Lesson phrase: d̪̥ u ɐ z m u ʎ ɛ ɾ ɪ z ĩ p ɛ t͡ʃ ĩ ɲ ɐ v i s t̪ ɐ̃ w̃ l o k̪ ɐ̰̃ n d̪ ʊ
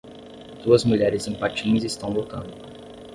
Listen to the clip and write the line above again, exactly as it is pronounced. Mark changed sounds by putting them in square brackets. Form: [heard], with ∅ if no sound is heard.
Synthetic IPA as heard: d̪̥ u ɐ z m u ʎ ɛ ɾ ɪ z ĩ p [a] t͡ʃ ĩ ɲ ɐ [z] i s t̪ ɐ̃ w̃ l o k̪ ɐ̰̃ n d̪ ʊ